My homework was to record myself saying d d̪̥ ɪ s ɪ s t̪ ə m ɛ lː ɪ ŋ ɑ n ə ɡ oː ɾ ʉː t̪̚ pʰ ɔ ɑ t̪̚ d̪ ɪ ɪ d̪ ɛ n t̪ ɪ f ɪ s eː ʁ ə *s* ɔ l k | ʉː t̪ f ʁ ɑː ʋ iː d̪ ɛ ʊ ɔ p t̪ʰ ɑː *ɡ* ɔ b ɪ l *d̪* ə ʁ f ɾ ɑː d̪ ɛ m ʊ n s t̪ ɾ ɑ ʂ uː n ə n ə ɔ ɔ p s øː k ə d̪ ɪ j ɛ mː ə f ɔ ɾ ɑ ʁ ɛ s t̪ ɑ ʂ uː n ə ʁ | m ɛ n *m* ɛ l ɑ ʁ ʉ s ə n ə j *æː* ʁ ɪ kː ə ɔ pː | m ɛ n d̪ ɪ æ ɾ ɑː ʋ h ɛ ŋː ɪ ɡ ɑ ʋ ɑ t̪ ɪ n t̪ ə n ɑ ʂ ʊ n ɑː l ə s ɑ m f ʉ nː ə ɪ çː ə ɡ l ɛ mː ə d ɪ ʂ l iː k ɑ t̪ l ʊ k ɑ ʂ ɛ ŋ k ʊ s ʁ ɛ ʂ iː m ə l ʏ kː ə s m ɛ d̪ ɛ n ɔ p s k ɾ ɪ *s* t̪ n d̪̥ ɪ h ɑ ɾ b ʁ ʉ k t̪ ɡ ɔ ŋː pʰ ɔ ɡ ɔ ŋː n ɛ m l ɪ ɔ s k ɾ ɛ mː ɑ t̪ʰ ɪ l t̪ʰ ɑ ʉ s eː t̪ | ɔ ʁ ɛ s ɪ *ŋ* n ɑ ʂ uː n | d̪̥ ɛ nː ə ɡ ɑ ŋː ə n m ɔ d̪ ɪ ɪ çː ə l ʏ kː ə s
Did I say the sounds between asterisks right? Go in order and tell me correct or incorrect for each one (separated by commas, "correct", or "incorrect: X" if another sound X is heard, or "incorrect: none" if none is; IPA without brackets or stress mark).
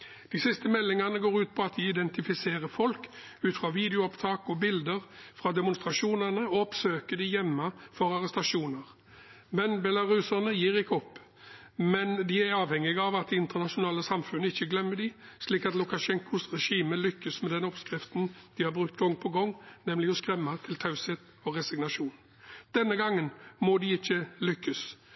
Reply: incorrect: f, incorrect: k, correct, incorrect: b, incorrect: iː, incorrect: f, incorrect: ɡ